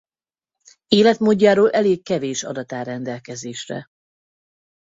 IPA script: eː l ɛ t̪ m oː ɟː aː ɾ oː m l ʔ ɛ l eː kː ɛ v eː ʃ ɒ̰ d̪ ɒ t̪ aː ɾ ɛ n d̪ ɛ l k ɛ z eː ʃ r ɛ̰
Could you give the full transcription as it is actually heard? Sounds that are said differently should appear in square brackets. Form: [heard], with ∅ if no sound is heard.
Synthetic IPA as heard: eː l ɛ t̪ m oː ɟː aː ɾ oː [∅] l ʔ ɛ l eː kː ɛ v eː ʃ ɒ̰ d̪ ɒ t̪ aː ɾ ɛ n d̪ ɛ l k ɛ z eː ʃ r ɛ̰